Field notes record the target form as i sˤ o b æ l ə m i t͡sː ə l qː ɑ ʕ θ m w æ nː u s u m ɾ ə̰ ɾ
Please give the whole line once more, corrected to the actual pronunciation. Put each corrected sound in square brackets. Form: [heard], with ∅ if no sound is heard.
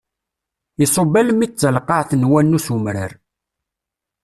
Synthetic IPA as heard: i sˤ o b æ l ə m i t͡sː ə l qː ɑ ʕ θ [n] w æ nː u s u m ɾ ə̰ ɾ